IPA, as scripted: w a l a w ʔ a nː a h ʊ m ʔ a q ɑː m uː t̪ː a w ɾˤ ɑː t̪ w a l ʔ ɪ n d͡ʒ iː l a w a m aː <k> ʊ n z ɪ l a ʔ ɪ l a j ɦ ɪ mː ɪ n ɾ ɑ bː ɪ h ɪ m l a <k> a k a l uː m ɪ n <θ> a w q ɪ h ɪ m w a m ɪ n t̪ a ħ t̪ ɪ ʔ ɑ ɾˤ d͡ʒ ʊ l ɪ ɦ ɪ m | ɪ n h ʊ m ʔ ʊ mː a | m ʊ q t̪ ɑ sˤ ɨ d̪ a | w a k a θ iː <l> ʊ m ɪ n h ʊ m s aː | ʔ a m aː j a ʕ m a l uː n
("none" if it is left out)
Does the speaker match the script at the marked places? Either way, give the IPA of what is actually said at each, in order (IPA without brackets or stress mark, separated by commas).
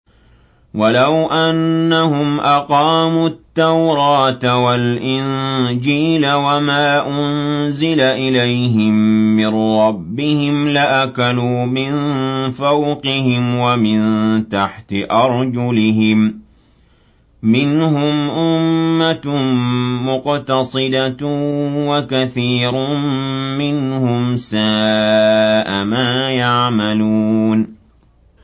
ʔ, ʔ, f, ɾ